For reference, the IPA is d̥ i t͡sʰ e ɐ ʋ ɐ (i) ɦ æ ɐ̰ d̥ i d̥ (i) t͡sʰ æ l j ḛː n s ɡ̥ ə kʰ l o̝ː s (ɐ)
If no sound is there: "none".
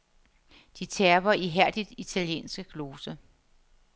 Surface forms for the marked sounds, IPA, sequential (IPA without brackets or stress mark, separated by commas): i, i, ə